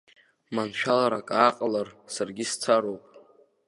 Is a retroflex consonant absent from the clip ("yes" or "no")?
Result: yes